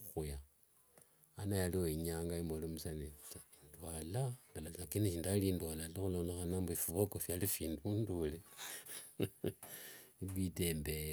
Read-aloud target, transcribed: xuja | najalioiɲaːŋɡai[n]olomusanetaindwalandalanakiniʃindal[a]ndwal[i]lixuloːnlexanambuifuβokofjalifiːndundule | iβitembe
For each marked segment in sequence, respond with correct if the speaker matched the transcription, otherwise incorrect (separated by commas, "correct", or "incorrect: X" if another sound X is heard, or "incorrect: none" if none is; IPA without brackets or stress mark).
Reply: incorrect: m, incorrect: i, incorrect: a